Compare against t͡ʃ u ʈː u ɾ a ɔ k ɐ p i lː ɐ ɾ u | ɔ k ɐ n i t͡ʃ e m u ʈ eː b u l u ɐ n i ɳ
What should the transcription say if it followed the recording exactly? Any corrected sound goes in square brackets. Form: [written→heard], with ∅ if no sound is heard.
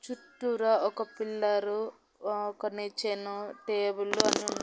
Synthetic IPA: t͡ʃ u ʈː u ɾ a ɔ k ɐ p i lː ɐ ɾ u | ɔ k ɐ n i t͡ʃ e [m→n] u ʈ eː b u l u ɐ n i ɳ